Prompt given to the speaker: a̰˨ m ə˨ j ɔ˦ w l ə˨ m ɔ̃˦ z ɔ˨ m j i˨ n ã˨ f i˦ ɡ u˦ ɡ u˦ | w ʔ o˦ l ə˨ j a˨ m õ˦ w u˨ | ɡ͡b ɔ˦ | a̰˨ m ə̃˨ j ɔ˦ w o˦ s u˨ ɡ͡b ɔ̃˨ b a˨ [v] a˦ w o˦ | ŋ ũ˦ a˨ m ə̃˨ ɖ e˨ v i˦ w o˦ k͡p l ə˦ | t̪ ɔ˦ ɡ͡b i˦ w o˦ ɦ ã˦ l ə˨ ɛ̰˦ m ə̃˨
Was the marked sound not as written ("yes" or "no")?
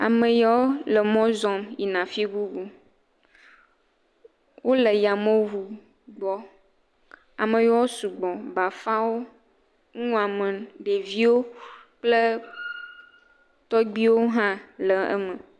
yes